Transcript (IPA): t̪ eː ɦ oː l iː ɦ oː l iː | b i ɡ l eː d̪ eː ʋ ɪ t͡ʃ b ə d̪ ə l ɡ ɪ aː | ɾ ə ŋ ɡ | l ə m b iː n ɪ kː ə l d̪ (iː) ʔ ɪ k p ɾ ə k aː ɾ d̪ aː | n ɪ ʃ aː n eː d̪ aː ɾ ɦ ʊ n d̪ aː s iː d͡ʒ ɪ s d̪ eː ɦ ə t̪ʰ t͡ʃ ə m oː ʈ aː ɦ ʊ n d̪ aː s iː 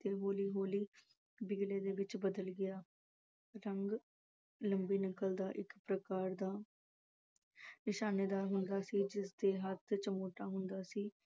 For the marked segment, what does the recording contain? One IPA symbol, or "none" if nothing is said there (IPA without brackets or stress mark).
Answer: aː